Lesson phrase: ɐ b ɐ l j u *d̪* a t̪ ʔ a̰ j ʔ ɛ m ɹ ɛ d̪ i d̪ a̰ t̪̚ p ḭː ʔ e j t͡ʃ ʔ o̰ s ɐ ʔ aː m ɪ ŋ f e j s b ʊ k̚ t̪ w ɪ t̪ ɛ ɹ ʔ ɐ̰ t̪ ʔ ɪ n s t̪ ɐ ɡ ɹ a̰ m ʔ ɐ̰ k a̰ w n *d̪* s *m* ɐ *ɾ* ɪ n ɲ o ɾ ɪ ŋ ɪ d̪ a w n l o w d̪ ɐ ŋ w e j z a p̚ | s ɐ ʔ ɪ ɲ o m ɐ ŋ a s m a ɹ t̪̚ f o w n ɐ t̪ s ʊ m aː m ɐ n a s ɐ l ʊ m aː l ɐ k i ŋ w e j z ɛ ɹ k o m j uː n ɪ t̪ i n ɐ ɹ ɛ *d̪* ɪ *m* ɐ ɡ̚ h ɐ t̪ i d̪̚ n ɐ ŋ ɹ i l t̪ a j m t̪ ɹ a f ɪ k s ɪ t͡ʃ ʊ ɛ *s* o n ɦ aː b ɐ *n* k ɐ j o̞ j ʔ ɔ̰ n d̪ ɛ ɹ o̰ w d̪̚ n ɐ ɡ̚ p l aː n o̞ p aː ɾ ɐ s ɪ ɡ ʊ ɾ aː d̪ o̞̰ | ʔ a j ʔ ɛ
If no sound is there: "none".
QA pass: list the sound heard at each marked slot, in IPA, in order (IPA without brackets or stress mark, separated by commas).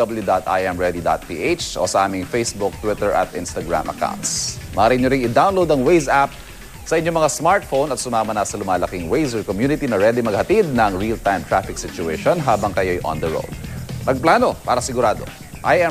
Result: d̪, t̪, m, ɾ, d̪, m, ʃ, ŋ